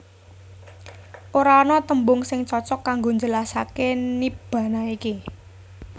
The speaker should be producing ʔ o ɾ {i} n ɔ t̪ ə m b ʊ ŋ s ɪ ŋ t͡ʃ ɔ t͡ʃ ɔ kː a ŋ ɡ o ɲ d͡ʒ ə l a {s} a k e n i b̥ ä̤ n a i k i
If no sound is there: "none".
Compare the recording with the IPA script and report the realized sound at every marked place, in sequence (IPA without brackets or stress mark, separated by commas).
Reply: a, s